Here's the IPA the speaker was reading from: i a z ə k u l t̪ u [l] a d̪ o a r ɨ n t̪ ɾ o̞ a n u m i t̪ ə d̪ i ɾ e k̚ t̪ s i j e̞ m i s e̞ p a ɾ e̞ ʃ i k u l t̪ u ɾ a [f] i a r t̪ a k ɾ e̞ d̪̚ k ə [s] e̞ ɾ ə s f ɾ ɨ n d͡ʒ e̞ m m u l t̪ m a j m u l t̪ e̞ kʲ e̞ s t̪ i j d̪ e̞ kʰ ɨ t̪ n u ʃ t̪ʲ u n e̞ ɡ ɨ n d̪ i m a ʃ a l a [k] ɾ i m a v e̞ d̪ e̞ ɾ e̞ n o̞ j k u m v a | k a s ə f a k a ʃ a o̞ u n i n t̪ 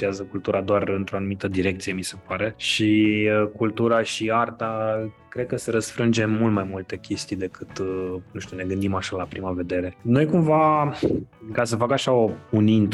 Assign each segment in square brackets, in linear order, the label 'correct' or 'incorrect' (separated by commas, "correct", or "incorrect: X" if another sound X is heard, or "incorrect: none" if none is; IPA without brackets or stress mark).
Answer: incorrect: ɾ, incorrect: ʃ, correct, incorrect: p